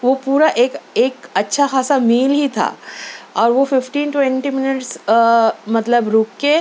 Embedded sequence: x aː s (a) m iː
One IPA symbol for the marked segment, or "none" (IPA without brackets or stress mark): a